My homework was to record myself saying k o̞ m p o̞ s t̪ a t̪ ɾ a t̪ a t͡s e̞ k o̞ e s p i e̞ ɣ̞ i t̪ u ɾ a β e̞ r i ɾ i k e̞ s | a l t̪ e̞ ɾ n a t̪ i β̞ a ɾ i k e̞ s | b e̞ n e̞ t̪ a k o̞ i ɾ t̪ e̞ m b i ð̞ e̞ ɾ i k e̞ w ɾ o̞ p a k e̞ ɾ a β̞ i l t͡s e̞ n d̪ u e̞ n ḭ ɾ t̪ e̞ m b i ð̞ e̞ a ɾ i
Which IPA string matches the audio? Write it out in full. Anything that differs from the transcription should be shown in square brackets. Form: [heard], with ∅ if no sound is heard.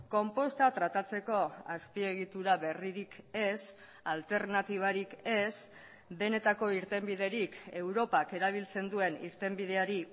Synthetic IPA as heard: k o̞ m p o̞ s t̪ a t̪ ɾ a t̪ a t͡s e̞ k o̞ [a] s p i e̞ ɣ̞ i t̪ u ɾ a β e̞ r i ɾ i k e̞ s | a l t̪ e̞ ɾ n a t̪ i β̞ a ɾ i k e̞ s | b e̞ n e̞ t̪ a k o̞ i ɾ t̪ e̞ m b i ð̞ e̞ ɾ i k e̞ w ɾ o̞ p a k e̞ ɾ a β̞ i l t͡s e̞ n d̪ u e̞ n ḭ ɾ t̪ e̞ m b i ð̞ e̞ a ɾ i